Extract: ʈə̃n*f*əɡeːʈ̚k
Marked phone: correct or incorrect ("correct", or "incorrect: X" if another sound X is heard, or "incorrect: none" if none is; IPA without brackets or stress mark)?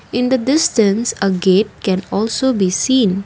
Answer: incorrect: s